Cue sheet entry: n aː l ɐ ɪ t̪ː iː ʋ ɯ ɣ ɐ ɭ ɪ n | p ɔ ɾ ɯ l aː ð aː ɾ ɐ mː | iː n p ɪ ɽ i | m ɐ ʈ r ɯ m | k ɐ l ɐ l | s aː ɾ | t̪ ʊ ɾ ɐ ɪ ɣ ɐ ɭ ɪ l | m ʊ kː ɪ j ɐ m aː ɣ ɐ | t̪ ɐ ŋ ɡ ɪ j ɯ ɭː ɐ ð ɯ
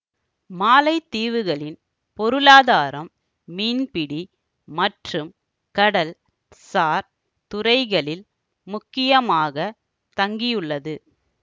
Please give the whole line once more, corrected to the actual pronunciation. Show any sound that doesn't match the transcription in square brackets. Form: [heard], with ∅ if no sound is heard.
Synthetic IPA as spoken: [m] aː l ɐ ɪ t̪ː iː ʋ ɯ ɣ ɐ ɭ ɪ n | p ɔ ɾ ɯ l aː ð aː ɾ ɐ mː | iː n p ɪ ɽ i | m ɐ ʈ r ɯ m | k ɐ [ɽ] ɐ l | s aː ɾ | t̪ ʊ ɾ ɐ ɪ ɣ ɐ ɭ ɪ l | m ʊ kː ɪ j ɐ m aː ɣ ɐ | t̪ ɐ ŋ ɡ ɪ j ɯ ɭː ɐ ð ɯ